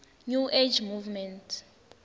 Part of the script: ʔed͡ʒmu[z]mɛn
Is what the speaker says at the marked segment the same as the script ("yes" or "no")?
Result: no